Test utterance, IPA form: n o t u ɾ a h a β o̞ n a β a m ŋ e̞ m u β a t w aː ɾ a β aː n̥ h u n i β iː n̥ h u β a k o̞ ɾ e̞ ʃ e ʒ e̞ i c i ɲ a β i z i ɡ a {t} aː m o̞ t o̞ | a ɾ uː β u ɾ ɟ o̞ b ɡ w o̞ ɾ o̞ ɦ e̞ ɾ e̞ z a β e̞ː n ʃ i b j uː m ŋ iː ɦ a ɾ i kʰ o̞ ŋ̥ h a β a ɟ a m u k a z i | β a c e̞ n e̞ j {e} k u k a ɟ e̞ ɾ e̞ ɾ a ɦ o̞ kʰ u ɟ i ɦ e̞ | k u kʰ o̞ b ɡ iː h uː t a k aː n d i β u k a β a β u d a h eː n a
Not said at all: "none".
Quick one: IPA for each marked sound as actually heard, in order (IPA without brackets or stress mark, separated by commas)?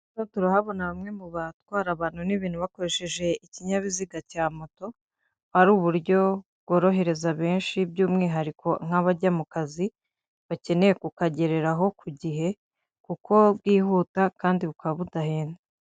c, e